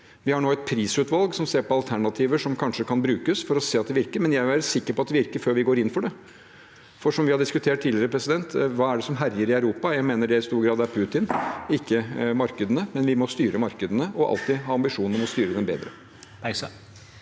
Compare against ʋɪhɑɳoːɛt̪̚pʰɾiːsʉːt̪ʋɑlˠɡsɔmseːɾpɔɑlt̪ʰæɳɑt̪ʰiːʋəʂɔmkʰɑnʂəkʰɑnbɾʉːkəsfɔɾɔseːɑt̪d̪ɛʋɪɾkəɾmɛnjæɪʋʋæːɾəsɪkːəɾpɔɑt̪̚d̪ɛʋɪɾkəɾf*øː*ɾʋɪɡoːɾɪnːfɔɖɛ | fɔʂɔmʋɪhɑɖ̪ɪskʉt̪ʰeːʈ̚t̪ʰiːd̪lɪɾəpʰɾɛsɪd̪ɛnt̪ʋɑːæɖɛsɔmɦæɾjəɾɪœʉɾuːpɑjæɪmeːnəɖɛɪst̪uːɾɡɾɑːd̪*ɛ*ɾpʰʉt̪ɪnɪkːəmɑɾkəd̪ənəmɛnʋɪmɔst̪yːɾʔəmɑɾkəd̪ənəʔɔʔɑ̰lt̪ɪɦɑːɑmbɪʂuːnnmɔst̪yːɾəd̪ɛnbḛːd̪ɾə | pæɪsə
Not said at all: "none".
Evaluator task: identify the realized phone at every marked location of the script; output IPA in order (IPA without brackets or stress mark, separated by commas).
øː, æ